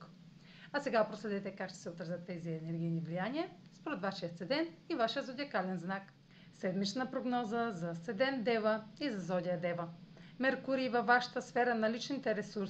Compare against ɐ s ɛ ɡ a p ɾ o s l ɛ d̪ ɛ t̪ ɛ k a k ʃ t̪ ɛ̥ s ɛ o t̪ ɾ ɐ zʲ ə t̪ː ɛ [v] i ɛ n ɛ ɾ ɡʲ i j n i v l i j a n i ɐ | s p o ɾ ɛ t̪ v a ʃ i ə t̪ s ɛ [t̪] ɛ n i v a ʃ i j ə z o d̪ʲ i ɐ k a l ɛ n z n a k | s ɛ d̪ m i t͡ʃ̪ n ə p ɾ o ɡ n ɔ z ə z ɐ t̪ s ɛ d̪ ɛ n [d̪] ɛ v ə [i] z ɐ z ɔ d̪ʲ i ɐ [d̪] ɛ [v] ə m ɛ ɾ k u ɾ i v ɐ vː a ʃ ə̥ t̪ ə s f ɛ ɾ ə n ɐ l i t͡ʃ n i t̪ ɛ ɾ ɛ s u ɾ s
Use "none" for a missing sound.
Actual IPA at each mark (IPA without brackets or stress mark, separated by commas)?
z, d̪, d̪, i, d̪, v